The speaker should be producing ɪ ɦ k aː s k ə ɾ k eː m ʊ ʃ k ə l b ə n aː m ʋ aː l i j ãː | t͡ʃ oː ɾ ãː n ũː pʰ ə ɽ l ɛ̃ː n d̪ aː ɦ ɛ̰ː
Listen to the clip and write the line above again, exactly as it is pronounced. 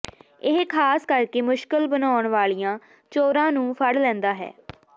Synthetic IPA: ɪ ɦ kʰ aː s k ə ɾ k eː m ʊ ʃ k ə l b ə n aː ɳ ʋ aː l i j ãː | t͡ʃ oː ɾ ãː n ũː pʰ ə ɽ l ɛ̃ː n d̪ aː ɦ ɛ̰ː